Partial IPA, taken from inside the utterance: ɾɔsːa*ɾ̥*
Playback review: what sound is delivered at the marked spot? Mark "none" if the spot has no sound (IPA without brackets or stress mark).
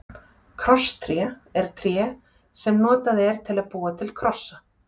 none